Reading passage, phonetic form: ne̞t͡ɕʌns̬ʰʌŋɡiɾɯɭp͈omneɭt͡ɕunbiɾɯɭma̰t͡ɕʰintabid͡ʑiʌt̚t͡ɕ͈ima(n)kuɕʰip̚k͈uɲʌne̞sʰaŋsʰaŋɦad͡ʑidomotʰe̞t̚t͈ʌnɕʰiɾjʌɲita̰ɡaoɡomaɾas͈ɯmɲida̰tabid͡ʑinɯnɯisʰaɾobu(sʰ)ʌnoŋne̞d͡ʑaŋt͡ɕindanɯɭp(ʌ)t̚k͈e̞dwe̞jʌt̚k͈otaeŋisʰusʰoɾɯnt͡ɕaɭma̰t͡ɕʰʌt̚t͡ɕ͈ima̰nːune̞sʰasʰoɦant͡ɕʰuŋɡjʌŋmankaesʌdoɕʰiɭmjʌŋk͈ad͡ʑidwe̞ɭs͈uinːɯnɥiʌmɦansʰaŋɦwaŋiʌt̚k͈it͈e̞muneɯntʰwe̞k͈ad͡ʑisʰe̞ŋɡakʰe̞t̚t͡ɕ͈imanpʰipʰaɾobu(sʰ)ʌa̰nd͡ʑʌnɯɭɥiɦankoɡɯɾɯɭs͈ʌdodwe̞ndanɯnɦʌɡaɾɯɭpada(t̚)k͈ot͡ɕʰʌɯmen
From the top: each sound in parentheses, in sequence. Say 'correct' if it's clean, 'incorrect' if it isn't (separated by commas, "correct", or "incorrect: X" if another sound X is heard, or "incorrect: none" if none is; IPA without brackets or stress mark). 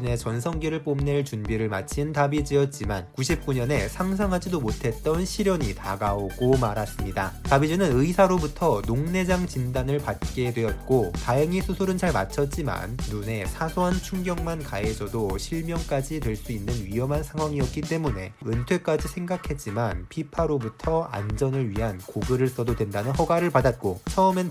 correct, incorrect: tʰ, incorrect: a, incorrect: tʰ, correct